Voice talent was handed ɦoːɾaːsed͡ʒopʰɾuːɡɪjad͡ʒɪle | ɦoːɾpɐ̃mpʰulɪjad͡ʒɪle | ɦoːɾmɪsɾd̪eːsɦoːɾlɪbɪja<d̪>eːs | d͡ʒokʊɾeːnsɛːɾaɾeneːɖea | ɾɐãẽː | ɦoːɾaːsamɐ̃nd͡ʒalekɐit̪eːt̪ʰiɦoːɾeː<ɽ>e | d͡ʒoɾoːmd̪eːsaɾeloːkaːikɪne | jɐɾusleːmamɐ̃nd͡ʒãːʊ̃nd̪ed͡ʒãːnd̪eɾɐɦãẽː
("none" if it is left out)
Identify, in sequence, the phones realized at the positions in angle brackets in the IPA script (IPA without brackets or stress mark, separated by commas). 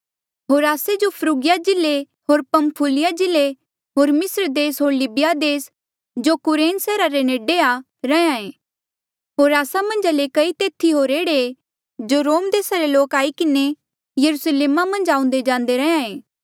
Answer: d̪, ɽ